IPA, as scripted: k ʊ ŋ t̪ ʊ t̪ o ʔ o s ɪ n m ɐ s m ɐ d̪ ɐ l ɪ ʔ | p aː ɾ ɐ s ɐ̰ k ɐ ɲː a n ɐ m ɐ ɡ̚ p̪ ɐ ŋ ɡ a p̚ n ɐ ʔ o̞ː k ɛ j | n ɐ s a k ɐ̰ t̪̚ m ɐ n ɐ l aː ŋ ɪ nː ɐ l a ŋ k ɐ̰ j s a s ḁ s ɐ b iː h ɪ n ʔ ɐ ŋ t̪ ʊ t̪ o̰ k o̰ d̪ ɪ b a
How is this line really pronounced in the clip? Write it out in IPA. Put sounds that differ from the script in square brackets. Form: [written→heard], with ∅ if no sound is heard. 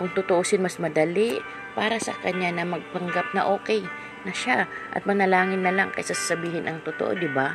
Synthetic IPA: k ʊ ŋ t̪ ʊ t̪ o ʔ o s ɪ n m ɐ s m ɐ d̪ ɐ l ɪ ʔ | p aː ɾ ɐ s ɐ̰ k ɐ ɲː a n ɐ m ɐ ɡ̚ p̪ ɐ ŋ ɡ a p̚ n ɐ ʔ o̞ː k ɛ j | n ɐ [s→ʃ] a [k→ʔ] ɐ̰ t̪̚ m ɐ n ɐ l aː ŋ ɪ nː ɐ l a ŋ k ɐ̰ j s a s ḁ s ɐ b iː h ɪ n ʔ ɐ ŋ t̪ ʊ t̪ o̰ [k→ʔ] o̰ d̪ ɪ b a